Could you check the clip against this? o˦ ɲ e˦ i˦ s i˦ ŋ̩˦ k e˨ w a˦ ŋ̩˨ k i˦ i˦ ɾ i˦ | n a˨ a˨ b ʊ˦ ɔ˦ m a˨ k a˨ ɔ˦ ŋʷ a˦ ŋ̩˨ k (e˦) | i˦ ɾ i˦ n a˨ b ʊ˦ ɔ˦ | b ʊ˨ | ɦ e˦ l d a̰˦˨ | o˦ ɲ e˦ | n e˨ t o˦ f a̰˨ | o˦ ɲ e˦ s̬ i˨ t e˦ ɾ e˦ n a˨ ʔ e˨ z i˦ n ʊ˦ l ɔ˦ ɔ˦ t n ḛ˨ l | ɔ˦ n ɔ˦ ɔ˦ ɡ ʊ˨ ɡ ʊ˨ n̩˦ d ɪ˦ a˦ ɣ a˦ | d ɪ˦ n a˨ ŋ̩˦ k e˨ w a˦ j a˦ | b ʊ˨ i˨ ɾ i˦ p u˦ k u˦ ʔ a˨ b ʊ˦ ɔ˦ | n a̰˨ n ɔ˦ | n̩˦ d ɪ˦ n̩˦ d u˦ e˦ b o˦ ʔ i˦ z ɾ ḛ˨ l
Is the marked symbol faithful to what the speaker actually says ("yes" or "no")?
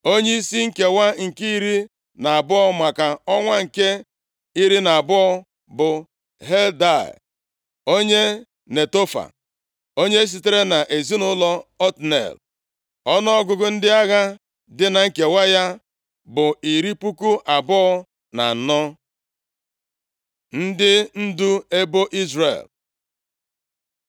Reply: yes